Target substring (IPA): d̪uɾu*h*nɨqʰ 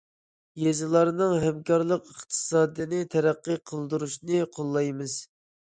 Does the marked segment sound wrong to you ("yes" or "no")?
yes